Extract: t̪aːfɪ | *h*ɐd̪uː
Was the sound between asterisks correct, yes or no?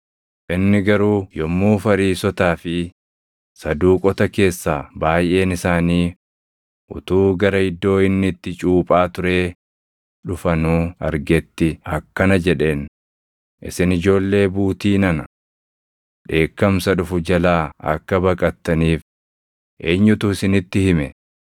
no